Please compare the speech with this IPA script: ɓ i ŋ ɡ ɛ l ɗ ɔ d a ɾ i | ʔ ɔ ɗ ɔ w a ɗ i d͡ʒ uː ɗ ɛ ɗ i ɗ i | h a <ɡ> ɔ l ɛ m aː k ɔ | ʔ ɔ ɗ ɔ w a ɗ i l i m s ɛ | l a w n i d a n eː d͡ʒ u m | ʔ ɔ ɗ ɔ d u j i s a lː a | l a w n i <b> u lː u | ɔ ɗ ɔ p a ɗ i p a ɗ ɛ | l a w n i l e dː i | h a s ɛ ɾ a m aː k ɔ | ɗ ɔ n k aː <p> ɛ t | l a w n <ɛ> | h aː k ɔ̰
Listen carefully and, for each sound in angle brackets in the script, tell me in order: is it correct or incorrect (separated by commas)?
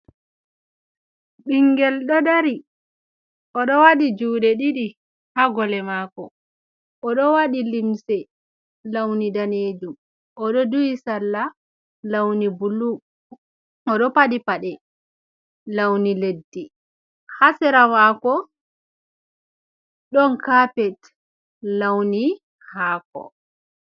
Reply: correct, correct, correct, incorrect